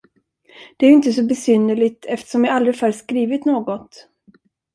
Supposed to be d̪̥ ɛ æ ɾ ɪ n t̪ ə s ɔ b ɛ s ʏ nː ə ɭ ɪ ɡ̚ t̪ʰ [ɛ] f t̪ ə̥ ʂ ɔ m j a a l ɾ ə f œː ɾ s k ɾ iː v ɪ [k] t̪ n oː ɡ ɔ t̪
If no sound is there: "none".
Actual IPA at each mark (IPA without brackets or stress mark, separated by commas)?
ɛ, none